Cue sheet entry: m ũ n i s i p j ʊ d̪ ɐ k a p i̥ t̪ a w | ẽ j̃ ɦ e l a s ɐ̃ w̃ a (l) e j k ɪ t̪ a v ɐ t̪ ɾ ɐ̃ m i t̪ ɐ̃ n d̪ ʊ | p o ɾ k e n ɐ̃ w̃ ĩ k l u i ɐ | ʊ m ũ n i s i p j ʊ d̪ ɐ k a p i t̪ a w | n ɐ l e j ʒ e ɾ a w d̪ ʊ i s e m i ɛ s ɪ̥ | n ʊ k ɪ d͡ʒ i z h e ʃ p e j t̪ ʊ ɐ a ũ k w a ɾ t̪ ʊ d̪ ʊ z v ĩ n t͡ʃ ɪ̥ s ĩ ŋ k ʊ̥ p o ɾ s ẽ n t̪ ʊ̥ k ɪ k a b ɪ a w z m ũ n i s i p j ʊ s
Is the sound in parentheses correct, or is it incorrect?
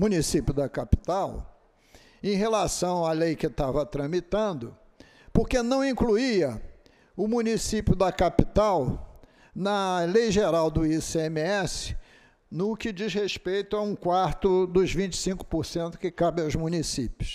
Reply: correct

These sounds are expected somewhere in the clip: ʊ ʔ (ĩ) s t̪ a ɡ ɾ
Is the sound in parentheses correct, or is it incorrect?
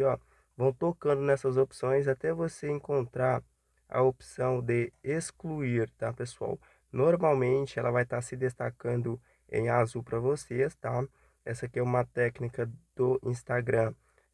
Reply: correct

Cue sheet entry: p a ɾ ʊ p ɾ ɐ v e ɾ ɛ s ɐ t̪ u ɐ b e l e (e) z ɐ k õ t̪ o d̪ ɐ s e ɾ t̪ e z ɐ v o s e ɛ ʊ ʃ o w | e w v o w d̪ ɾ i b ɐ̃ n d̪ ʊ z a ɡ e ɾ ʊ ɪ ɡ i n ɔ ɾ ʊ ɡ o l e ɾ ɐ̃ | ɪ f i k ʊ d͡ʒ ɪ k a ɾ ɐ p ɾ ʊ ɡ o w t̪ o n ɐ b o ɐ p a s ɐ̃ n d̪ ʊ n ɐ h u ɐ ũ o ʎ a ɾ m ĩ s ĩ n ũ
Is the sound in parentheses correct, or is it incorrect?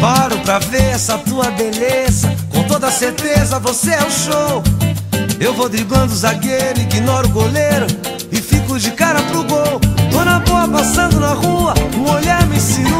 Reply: correct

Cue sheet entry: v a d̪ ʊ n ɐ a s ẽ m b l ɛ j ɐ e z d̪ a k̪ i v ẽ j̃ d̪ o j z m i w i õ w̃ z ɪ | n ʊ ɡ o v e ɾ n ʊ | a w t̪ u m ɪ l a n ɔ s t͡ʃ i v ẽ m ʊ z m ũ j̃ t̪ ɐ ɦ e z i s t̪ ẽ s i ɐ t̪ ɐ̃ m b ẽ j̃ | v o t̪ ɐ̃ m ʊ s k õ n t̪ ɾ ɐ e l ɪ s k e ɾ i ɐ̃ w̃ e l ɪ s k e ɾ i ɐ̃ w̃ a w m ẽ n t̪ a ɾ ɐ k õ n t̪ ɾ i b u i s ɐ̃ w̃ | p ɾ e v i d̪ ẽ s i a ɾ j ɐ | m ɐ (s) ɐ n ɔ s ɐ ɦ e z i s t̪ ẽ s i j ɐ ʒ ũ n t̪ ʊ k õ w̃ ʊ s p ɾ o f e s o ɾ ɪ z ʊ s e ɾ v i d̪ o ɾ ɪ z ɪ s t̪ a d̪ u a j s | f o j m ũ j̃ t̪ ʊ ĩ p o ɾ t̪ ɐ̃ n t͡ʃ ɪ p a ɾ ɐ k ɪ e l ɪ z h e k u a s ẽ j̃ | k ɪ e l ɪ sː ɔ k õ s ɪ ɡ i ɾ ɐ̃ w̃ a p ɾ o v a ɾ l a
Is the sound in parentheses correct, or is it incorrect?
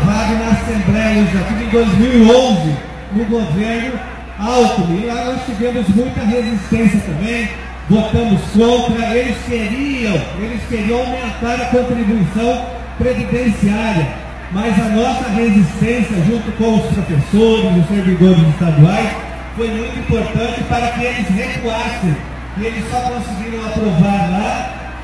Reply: incorrect: z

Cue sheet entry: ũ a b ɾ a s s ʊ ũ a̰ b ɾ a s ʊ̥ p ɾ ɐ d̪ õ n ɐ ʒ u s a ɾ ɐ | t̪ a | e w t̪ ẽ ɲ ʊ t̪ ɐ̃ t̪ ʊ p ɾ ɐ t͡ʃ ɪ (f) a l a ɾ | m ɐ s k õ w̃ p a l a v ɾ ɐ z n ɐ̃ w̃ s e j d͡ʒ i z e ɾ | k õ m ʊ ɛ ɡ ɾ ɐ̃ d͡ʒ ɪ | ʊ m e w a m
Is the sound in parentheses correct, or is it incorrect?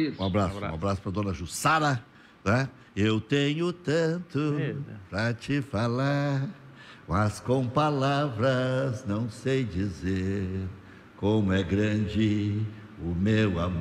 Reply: correct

